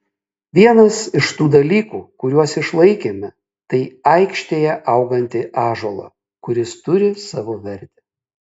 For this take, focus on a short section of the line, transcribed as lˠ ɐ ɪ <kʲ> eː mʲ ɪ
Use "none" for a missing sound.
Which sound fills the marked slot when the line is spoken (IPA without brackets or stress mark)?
kʲ